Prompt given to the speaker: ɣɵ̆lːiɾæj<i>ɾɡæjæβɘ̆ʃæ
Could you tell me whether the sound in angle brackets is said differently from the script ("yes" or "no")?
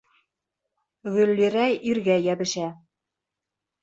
no